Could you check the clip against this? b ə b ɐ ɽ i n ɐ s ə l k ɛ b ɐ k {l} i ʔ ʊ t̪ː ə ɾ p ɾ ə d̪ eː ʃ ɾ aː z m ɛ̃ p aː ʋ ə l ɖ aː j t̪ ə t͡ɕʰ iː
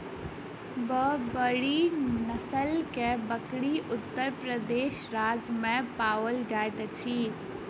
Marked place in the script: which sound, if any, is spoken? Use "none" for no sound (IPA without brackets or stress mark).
ɽ